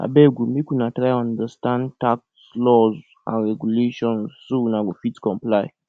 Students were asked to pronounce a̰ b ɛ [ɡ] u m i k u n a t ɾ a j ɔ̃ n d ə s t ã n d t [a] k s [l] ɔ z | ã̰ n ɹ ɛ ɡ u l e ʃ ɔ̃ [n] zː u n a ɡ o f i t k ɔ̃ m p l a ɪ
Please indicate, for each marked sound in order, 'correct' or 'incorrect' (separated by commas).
correct, correct, correct, correct